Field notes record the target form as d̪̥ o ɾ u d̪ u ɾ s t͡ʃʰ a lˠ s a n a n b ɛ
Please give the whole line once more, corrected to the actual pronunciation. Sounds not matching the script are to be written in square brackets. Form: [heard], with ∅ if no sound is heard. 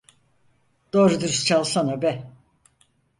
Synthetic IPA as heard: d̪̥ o ɾ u d̪ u ɾ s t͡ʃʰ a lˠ s a n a [∅] b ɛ